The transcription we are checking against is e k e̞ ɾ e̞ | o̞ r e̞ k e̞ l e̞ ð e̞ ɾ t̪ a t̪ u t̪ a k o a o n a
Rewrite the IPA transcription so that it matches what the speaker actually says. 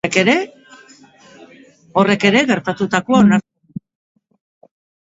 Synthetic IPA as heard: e k e̞ ɾ e̞ | o̞ r e̞ k e̞ ɾ e̞ ɣ e̞ ɾ t̪ a t̪ u t̪ a k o a o n a